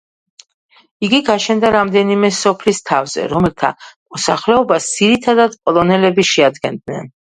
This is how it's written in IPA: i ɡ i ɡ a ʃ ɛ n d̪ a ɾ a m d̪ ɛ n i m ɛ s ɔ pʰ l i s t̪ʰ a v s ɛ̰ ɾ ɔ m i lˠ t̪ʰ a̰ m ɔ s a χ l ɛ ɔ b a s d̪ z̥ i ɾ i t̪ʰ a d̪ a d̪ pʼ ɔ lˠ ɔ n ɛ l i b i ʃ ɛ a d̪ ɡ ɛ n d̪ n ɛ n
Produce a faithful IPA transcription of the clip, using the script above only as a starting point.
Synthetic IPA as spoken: i ɡ i ɡ a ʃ ɛ n d̪ a ɾ a m d̪ ɛ n i m ɛ s ɔ pʰ l i s t̪ʰ a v z ɛ̰ ɾ ɔ m ɛ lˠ t̪ʰ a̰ m ɔ s a χ l ɛ ɔ b a s d̪ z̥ i ɾ i t̪ʰ a d̪ a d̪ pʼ ɔ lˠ ɔ n ɛ l ɛ b i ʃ ɛ a d̪ ɡ ɛ n d̪ n ɛ n